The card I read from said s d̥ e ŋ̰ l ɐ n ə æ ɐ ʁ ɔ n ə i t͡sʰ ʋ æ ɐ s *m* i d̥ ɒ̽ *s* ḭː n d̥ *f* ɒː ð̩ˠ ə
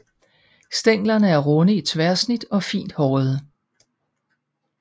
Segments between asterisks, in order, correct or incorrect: incorrect: n, incorrect: f, incorrect: h

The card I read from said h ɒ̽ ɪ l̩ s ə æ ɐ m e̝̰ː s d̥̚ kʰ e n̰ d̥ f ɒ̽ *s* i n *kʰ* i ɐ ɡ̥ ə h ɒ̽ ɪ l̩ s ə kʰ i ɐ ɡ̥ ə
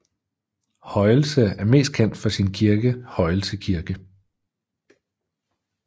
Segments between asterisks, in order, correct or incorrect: correct, correct

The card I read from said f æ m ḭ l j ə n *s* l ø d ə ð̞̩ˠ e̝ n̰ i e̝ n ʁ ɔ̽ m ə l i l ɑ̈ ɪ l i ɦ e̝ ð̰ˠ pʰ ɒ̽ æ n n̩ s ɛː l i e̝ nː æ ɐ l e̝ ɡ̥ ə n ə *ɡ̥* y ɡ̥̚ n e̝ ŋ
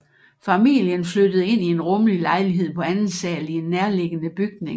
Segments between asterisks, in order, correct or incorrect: incorrect: f, incorrect: b̥

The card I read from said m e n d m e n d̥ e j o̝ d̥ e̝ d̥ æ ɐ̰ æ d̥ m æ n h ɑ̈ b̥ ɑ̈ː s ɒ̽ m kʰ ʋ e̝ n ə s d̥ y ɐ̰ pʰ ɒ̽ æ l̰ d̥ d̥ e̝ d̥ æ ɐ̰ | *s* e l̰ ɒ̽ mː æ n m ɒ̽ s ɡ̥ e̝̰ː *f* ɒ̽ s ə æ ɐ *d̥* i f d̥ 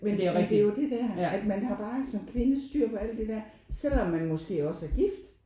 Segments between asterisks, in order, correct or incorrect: correct, incorrect: none, incorrect: ɡ̥

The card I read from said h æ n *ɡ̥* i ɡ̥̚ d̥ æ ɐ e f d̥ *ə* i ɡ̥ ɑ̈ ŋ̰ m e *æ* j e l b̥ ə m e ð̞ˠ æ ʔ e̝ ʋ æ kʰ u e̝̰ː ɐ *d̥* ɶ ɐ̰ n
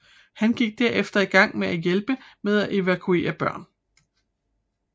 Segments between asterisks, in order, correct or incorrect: correct, incorrect: ɐ, correct, incorrect: b̥

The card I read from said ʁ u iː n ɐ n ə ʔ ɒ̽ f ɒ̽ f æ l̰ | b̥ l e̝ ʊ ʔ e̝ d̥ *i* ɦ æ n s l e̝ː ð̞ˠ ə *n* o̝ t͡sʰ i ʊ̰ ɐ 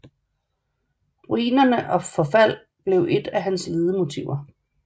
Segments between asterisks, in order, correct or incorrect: incorrect: æ, incorrect: m

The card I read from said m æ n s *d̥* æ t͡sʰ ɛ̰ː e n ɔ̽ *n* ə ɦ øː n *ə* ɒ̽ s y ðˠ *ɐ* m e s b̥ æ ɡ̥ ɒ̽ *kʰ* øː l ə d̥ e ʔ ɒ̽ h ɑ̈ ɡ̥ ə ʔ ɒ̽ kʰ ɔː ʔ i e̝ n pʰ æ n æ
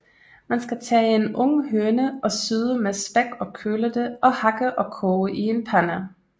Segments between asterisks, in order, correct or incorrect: incorrect: ɡ̥, incorrect: ŋ, correct, incorrect: ə, correct

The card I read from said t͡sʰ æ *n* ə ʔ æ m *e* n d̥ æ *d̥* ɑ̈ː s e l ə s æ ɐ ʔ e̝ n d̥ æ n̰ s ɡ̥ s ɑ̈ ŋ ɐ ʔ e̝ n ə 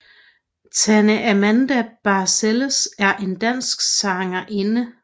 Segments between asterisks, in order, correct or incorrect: correct, incorrect: æ, incorrect: b̥

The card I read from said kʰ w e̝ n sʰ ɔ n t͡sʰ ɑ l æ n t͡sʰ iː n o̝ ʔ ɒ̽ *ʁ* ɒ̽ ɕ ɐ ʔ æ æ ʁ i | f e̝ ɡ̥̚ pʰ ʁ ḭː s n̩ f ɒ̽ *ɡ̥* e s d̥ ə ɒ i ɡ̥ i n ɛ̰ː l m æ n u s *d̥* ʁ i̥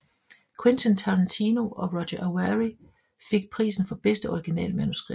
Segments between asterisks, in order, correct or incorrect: correct, incorrect: b̥, incorrect: ɡ̥

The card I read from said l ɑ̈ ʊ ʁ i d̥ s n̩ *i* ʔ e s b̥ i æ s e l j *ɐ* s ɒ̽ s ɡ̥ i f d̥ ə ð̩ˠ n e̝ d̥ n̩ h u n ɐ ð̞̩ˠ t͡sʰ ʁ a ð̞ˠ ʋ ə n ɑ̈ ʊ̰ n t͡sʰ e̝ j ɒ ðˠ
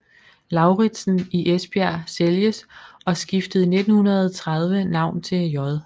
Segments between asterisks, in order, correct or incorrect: correct, incorrect: ə

